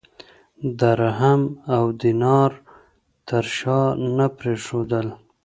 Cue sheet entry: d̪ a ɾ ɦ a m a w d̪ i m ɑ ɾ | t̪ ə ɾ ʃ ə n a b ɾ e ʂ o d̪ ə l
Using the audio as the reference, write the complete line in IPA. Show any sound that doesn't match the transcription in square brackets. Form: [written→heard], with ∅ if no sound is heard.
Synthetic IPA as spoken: d̪ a ɾ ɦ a m a w d̪ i [m→n] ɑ ɾ | t̪ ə ɾ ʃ [ə→ɑ] n a [b→p] ɾ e ʂ o d̪ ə l